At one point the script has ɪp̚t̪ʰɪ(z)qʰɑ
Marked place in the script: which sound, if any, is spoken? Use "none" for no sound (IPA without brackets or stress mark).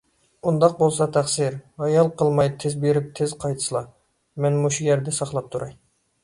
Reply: z